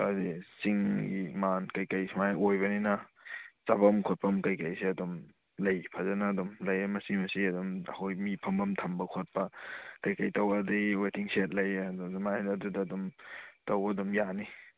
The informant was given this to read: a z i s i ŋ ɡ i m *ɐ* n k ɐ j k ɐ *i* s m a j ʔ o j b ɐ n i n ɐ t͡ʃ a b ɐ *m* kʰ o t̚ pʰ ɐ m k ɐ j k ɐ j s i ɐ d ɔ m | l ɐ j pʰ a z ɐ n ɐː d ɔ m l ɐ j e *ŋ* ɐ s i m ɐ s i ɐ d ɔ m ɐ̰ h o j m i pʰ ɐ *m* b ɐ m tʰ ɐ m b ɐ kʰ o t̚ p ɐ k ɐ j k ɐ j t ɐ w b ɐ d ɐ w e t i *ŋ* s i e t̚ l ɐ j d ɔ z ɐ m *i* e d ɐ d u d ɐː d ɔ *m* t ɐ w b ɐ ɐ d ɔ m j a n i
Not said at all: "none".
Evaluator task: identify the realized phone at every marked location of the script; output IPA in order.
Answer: a, j, m, m, m, ŋ, a, m

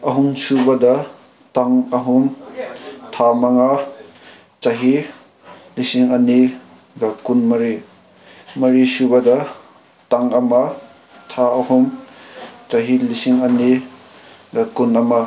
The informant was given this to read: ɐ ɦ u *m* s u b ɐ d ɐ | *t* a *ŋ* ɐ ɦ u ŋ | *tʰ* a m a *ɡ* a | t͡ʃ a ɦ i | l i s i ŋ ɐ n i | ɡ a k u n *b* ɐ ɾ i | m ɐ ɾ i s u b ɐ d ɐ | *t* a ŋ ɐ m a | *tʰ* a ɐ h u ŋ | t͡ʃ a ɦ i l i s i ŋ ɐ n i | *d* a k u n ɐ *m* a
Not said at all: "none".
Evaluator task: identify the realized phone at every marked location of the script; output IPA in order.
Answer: ŋ, t, ŋ, tʰ, ŋ, m, t, tʰ, ɡ, m

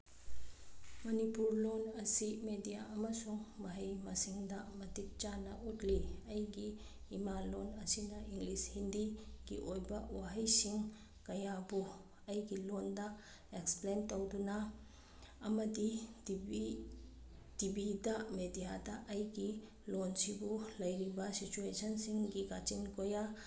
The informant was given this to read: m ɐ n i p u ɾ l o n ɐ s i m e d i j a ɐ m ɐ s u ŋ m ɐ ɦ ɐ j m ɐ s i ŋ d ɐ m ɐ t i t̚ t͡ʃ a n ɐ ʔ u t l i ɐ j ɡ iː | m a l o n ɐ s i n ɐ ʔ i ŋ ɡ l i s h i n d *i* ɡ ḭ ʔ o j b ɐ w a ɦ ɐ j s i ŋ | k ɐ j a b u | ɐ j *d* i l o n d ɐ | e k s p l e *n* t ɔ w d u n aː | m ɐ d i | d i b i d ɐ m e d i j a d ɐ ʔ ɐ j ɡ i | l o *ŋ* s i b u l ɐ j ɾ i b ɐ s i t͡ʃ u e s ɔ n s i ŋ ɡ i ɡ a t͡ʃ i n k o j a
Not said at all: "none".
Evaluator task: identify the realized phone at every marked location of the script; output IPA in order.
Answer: i, ɡ, n, n

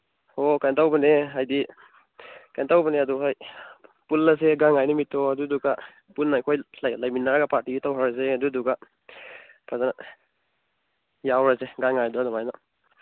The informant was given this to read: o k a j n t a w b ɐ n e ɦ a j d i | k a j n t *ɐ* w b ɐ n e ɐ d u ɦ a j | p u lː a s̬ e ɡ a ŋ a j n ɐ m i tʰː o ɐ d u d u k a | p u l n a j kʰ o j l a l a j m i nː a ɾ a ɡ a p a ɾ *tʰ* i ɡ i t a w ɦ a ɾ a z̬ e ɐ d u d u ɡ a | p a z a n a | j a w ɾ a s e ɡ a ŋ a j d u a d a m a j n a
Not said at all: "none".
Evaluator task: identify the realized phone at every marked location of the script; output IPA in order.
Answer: a, t

